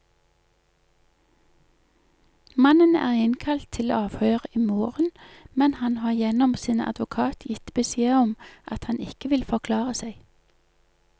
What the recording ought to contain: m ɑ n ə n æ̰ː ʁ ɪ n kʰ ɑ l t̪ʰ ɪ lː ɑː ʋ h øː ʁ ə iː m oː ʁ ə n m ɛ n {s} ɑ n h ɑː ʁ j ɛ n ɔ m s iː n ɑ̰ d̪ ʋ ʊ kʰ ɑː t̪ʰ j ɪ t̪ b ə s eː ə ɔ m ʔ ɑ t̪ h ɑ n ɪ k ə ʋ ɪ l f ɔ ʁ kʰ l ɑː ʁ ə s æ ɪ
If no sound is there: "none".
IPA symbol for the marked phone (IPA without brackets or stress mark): h